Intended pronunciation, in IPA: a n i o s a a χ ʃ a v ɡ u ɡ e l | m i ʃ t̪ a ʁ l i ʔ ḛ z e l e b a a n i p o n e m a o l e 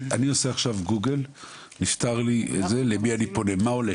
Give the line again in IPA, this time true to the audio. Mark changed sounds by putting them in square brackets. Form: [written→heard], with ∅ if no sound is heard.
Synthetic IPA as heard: a n i o s [a→e] a χ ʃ a v ɡ u ɡ e l | [m→n] i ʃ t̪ a ʁ l i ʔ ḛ z e l e b [a→i] a n i p o n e m a o l e